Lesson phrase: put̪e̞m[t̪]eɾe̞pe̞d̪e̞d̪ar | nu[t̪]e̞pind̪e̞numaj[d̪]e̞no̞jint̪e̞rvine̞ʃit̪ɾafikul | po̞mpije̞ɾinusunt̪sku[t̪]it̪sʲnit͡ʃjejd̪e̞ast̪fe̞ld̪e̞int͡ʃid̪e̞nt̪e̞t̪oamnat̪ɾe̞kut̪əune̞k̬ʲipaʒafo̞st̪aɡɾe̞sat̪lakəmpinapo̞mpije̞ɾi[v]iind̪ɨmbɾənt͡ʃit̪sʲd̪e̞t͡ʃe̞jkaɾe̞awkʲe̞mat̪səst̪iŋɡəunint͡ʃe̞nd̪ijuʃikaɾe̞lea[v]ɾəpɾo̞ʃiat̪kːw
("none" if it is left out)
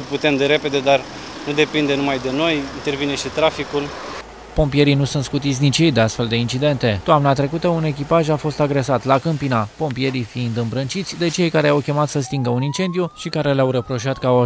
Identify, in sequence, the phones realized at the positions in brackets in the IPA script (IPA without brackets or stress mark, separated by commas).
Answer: d̪, d̪, d̪, t̪, f, w